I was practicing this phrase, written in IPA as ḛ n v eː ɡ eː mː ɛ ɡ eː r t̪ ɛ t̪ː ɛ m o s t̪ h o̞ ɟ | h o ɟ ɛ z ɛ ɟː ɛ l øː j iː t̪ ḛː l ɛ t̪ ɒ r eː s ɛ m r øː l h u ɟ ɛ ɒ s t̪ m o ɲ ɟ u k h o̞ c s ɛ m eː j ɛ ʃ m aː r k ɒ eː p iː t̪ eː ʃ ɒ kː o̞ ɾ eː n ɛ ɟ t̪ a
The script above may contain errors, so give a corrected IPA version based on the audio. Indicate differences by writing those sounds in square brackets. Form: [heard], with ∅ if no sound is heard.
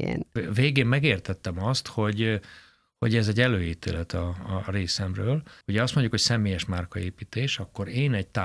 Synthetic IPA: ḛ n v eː ɡ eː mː ɛ ɡ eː r t̪ ɛ t̪ː ɛ m [ɒ] s t̪ h o̞ ɟ | h o ɟ ɛ z ɛ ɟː ɛ l øː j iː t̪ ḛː l ɛ t̪ ɒ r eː s ɛ m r øː l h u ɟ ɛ ɒ s t̪ m o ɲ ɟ u k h o̞ c s ɛ m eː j ɛ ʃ m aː r k ɒ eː p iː t̪ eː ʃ ɒ kː o̞ ɾ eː n ɛ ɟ t̪ a